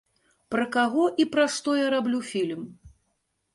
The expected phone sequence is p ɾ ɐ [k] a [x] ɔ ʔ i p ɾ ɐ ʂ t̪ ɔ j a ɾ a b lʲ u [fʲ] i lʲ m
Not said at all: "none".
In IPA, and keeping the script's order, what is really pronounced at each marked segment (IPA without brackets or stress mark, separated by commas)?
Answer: k, ɣ, fʲ